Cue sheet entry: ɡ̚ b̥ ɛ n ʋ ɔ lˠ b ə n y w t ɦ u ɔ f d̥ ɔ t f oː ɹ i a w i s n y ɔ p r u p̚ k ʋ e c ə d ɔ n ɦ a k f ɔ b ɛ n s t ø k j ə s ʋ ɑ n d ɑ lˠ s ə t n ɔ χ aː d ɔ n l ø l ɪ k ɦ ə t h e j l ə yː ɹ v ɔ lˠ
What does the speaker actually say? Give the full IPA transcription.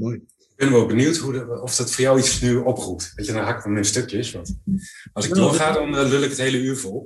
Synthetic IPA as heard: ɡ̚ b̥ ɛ n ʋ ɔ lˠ b ə n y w t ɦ u ɔ f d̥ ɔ t f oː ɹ j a w i s n y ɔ p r u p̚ t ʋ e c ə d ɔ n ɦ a k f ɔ m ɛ n s t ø k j ə s ʋ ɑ n t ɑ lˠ s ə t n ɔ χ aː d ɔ n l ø l ɪ k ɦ ə t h e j l ə yː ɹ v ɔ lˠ